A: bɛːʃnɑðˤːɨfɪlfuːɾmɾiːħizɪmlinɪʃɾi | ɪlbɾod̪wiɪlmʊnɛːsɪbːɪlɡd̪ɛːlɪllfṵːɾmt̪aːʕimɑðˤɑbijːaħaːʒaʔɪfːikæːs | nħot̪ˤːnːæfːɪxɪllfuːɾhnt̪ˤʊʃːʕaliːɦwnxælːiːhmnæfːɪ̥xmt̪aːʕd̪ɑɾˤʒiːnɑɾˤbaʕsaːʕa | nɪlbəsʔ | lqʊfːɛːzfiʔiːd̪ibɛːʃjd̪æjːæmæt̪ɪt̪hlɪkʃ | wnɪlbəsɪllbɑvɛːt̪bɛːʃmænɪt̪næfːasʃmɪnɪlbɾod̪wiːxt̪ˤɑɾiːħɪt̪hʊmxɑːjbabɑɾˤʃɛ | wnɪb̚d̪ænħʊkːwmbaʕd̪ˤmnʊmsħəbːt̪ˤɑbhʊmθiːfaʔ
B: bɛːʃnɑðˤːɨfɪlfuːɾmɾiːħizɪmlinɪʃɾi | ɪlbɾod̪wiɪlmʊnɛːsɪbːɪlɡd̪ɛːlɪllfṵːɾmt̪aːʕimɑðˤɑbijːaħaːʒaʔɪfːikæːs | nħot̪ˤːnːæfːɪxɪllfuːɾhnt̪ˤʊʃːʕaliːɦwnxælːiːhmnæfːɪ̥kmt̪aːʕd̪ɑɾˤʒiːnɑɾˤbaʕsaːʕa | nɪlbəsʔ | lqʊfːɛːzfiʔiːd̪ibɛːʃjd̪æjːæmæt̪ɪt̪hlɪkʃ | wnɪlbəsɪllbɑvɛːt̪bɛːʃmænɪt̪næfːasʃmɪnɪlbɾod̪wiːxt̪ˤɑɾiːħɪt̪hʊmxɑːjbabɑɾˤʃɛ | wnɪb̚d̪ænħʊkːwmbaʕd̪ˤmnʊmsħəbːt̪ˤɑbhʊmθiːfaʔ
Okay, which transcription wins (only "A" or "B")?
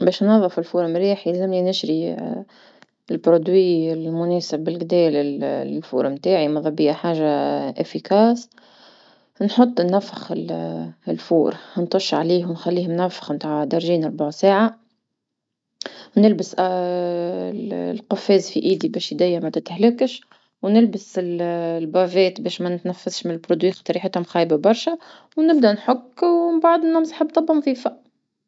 A